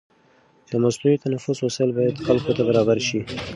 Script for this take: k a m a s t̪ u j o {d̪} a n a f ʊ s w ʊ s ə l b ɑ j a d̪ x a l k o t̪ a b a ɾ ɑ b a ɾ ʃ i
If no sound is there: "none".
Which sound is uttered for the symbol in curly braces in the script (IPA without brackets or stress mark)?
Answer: t̪